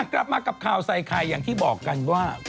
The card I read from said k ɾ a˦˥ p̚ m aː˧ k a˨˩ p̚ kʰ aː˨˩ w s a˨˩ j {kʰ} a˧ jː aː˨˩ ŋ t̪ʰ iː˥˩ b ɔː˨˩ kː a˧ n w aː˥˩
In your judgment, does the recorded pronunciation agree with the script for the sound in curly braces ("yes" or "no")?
yes